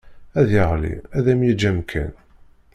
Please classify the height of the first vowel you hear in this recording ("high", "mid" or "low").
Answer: low